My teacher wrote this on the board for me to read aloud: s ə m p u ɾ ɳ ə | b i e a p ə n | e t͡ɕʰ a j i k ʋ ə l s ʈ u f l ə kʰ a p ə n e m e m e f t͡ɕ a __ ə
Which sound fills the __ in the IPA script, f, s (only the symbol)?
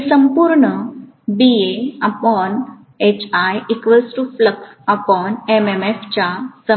s